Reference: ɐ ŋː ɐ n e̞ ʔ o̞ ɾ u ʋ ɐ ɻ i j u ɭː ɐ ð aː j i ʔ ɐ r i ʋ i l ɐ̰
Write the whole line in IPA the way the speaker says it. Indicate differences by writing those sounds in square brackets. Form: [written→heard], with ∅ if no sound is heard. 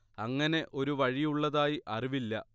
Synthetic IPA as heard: ɐ ŋː ɐ n e̞ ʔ o̞ ɾ u ʋ ɐ ɻ i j u ɭː ɐ ð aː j i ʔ ɐ r i ʋ i [l→lː] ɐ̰